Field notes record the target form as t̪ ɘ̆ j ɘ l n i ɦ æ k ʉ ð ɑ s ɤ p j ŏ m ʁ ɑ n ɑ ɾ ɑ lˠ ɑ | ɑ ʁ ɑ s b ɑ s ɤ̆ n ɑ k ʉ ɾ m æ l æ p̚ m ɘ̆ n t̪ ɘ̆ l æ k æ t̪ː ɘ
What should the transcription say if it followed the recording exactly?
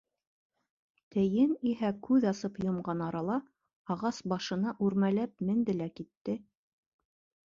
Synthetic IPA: t̪ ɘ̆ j ɘ n i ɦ æ k ʉ ð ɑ s ɤ p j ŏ m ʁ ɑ n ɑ ɾ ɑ lˠ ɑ | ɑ ʁ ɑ s b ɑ ʃ ɤ̆ n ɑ ʔ ʉ ɾ m æ l æ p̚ m ɘ̆ n d̪ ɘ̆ l æ k i t̪ː ɘ